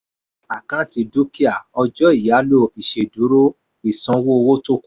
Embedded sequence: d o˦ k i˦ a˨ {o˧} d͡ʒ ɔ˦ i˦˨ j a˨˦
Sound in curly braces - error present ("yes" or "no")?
yes